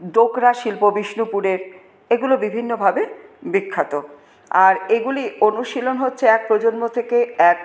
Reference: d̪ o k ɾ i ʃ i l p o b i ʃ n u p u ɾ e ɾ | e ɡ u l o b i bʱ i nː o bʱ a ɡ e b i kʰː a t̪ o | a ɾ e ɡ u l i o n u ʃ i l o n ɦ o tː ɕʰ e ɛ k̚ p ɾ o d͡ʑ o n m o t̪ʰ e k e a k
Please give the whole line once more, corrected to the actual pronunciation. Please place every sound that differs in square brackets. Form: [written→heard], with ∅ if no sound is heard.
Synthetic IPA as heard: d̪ o k ɾ [i→a] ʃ i l p o b i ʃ n u p u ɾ e ɾ | e ɡ u l o b i bʱ i nː o bʱ a [ɡ→b] e b i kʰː a t̪ o | a ɾ e ɡ u l i o n u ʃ i l o n ɦ o tː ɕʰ e ɛ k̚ p ɾ o d͡ʑ o n m o t̪ʰ e k e [a→ɛ] k